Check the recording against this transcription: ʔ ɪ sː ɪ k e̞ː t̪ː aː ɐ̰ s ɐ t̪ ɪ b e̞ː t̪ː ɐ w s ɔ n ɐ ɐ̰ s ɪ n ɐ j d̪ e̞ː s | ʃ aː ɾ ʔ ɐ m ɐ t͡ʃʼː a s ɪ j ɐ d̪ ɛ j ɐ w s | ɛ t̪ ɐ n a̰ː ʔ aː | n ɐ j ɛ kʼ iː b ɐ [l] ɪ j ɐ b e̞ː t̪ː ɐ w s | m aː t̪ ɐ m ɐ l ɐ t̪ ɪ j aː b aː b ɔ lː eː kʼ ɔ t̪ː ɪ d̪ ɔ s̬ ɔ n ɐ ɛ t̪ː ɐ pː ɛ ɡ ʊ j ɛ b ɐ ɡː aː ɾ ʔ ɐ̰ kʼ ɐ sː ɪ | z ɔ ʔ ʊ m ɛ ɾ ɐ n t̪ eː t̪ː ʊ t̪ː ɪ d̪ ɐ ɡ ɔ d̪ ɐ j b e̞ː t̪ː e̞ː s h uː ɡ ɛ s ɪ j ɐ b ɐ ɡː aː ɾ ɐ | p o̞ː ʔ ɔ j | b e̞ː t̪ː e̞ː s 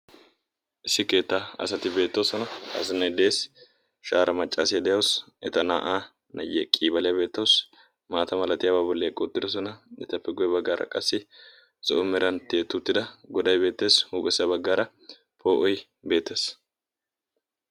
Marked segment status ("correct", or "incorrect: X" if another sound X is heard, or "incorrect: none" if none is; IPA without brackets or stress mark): correct